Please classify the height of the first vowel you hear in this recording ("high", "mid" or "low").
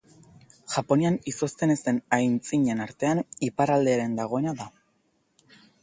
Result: low